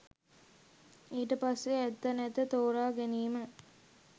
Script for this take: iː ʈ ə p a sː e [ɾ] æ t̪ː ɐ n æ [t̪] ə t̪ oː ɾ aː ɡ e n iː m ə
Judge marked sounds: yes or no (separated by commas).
no, yes